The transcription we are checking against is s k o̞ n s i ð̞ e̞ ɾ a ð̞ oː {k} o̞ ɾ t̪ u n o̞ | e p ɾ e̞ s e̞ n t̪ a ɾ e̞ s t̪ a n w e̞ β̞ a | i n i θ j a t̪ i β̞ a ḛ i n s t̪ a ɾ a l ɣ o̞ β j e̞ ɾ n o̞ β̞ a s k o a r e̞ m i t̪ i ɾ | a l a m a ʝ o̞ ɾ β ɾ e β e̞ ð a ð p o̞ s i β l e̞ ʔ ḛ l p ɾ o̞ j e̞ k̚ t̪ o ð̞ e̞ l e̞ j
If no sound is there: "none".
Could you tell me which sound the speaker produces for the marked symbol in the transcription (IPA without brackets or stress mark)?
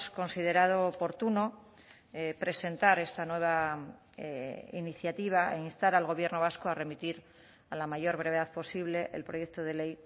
p